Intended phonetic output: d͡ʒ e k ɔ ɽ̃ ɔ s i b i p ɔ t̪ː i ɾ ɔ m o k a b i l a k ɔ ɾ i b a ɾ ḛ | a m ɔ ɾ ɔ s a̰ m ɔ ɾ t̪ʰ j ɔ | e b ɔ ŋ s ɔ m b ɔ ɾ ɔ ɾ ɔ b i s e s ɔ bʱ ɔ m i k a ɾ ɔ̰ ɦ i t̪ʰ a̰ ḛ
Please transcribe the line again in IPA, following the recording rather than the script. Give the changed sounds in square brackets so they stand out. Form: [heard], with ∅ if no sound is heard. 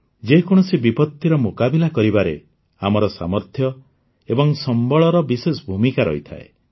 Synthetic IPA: d͡ʒ e k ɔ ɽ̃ ɔ s i b i p ɔ t̪ː i ɾ ɔ m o k a b i l a k ɔ ɾ i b a ɾ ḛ | a m ɔ ɾ ɔ s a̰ m ɔ ɾ t̪ʰ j ɔ | e b ɔ ŋ s ɔ m b ɔ [ɭ] ɔ ɾ ɔ b i s e s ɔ bʱ [u] m i k a ɾ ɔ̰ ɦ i t̪ʰ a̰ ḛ